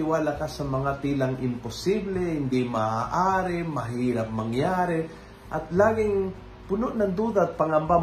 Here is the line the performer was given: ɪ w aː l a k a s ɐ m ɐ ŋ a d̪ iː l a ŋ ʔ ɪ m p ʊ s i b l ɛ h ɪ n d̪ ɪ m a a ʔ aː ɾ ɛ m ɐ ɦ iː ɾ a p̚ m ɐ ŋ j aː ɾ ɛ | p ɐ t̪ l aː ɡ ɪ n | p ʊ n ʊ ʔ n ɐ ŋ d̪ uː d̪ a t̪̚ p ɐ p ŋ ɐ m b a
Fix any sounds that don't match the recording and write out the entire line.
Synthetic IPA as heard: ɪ w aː l a k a s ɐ m ɐ ŋ a t̪ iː l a ŋ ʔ ɪ m p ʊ s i b l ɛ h ɪ n d̪ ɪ m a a ʔ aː ɾ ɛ m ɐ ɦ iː ɾ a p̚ m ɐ ŋ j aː ɾ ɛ | ʔ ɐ t̪ l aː ɡ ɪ ŋ | p ʊ n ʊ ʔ n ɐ ŋ d̪ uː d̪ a t̪̚ p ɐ ŋ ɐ m b a